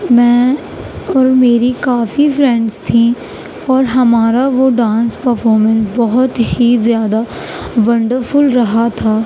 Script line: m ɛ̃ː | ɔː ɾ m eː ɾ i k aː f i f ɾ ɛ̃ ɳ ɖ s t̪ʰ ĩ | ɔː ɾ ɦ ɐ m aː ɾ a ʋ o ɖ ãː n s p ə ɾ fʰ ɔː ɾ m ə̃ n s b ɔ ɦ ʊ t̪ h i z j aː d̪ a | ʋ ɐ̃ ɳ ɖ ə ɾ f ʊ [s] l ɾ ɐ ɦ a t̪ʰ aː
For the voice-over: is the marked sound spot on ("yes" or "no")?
no